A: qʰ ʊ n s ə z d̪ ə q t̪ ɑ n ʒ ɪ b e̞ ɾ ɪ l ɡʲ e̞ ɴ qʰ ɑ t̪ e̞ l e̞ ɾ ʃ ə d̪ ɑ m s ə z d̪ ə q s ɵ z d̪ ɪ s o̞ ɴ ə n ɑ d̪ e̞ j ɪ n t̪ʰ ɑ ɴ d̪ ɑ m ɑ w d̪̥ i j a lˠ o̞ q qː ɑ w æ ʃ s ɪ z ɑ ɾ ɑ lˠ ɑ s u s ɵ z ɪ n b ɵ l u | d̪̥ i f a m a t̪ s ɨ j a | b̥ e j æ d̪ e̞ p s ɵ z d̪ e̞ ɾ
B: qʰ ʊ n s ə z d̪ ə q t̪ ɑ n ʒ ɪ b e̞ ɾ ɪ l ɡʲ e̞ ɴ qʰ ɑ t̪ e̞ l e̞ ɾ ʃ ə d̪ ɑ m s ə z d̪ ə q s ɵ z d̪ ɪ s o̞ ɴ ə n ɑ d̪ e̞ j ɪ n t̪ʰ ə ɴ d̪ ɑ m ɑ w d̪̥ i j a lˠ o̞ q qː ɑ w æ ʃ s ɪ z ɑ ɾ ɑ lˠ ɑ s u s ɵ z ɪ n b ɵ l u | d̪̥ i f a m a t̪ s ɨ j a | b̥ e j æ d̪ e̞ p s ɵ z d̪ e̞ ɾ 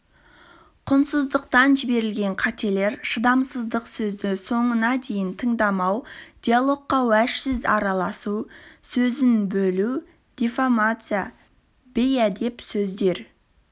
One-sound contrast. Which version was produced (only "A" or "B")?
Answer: B